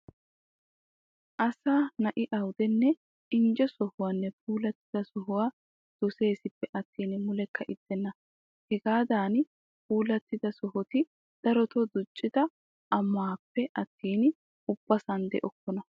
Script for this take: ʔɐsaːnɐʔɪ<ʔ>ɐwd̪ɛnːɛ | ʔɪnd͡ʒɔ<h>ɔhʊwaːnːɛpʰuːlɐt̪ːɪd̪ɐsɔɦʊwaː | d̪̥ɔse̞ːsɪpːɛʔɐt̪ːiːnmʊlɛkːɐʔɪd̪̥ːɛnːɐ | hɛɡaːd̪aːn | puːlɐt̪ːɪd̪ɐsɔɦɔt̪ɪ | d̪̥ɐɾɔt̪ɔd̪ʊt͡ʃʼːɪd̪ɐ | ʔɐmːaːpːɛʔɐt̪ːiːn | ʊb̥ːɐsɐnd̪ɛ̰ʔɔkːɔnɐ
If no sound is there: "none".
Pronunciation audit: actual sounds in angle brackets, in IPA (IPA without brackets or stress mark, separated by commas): ʔ, s